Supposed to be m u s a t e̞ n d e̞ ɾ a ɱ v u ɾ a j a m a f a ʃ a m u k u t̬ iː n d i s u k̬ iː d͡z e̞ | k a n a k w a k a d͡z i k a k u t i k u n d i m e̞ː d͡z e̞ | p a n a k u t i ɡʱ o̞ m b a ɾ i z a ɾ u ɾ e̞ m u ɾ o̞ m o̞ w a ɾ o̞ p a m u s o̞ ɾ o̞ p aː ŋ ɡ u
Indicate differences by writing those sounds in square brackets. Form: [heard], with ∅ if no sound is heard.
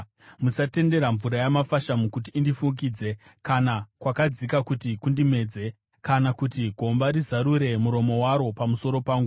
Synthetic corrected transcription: m u s a t e̞ n d e̞ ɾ a ɱ v u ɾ a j a m a f a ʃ a m u k u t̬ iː n d i [f] u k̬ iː d͡z e̞ | k a n a k w a k a d͡z i k a k u t i k u n d i m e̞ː d͡z e̞ | [k] a n a k u t i ɡʱ o̞ m b a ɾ i z a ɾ u ɾ e̞ m u ɾ o̞ m o̞ w a ɾ o̞ p a m u s o̞ ɾ o̞ p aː ŋ ɡ u